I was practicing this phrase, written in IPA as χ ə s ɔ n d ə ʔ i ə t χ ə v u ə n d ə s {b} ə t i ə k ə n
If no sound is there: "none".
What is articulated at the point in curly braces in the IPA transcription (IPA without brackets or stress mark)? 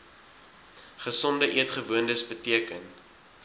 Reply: b